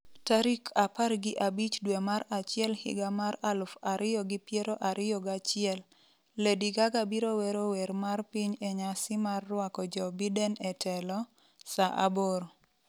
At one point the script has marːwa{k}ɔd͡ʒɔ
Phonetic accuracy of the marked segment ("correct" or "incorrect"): correct